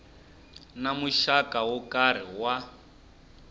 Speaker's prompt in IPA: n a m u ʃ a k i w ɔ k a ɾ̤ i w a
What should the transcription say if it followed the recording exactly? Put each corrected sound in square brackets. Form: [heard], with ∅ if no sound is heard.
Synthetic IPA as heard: n a m u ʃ a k [a] w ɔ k a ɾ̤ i w a